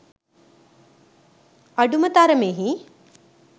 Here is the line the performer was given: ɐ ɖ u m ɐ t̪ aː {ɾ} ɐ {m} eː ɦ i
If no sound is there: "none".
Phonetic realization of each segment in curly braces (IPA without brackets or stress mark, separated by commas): ɾ, m